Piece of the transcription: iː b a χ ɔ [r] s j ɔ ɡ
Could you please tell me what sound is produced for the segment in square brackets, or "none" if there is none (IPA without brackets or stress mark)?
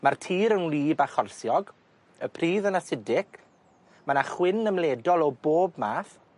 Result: r